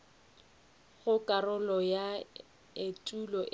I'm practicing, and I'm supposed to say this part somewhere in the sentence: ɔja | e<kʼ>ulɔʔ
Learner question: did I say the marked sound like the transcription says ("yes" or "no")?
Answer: no